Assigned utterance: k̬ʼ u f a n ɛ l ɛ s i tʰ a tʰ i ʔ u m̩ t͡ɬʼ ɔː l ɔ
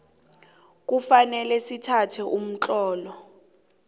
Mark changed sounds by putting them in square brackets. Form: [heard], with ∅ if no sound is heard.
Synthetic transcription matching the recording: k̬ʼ u f a n ɛ l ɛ s i tʰ a tʰ [ɛ] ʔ u m̩ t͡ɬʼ ɔː l ɔ